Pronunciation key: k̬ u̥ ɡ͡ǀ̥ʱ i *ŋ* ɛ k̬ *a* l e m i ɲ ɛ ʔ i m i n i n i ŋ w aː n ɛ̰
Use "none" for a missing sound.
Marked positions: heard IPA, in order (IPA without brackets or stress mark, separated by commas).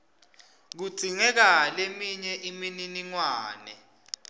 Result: ŋ, a